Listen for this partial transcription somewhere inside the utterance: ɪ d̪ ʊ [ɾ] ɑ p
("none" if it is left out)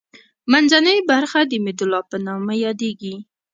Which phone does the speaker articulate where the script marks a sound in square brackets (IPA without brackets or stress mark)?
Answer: l